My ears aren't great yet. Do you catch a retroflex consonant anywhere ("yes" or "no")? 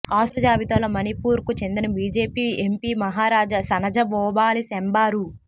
no